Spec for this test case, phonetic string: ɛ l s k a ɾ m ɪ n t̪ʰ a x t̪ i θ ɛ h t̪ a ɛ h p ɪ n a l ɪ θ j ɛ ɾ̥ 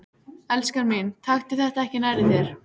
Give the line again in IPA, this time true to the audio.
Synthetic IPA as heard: ɛ l s k a ɾ m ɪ n t̪ʰ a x t̪ ɪ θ ɛ h t̪ a ɛ h c ɪ n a ɾ ɪ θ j ɛ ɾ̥